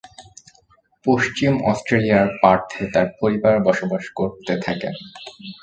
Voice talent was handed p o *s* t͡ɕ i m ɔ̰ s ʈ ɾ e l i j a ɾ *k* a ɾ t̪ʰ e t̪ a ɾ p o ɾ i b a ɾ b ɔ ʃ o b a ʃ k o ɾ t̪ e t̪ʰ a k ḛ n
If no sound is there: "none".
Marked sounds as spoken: ʃ, p

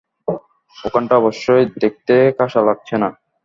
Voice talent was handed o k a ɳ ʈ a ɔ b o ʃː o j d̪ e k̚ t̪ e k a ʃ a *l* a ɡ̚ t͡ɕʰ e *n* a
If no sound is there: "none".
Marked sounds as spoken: l, n

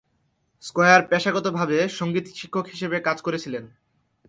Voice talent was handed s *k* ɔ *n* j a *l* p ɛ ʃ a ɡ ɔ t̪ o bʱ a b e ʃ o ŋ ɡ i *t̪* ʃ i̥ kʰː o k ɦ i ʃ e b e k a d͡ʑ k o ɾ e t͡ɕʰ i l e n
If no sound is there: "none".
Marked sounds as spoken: k, none, ɾ, t̪

